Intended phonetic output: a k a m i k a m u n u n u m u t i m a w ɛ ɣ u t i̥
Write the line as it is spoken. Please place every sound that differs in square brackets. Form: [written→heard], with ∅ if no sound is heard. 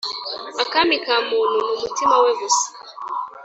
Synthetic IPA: a k a m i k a m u n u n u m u t i m a w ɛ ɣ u [t→s] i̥